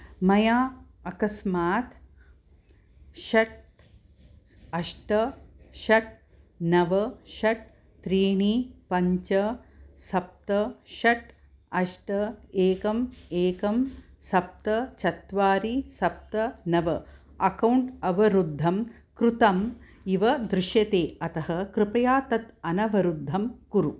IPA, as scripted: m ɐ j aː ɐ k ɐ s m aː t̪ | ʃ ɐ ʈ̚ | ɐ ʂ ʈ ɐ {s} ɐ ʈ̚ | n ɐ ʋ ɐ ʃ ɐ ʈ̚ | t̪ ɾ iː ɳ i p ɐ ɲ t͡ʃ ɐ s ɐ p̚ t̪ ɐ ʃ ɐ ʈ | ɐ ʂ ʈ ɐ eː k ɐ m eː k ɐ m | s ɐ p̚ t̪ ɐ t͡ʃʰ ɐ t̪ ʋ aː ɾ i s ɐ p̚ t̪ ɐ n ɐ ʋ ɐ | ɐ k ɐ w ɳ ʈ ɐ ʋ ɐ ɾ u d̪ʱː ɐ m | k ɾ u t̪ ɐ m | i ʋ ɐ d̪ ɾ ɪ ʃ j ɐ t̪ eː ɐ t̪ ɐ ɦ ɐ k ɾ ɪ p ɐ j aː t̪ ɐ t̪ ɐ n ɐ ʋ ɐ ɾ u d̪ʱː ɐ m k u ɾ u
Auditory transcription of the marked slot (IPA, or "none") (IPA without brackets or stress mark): ʃ